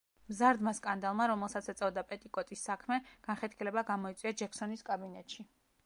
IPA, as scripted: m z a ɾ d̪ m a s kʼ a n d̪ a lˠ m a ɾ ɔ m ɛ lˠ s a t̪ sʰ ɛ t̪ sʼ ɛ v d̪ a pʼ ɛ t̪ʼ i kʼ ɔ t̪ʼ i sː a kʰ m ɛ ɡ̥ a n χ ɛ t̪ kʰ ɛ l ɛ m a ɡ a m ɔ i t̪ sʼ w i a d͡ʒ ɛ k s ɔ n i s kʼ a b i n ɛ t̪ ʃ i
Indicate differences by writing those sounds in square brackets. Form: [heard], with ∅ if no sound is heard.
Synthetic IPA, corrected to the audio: m z a ɾ d̪ m a s kʼ a n d̪ a lˠ m a ɾ ɔ m ɛ lˠ s a t̪ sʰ ɛ t̪ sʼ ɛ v d̪ a pʼ ɛ t̪ʼ i kʼ ɔ t̪ʼ i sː a kʰ m ɛ ɡ̥ a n χ ɛ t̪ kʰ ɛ l ɛ [b] a ɡ a m ɔ i t̪ sʼ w i a d͡ʒ ɛ k s ɔ n i s kʼ a b i n ɛ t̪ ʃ i